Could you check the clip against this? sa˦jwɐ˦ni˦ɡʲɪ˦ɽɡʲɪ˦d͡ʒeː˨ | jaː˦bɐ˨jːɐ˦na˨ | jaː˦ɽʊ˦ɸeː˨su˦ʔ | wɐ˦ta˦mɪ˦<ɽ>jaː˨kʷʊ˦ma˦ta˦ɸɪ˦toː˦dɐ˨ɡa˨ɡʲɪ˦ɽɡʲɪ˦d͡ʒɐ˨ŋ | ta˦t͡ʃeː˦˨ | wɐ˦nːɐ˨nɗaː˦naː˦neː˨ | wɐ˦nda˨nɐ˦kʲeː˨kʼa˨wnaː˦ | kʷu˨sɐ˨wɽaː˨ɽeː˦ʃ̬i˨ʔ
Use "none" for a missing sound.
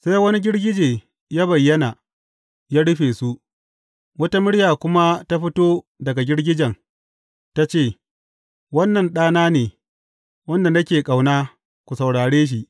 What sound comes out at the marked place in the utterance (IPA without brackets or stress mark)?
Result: ɽ